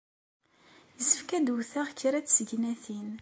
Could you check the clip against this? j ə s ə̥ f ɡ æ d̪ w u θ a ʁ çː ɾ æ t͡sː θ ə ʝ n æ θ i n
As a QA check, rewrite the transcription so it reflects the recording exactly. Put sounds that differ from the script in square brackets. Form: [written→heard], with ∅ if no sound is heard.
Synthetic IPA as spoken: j ə s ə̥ f [ɡ→k] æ d̪ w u θ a ʁ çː ɾ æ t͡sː [θ→s] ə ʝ n æ θ i n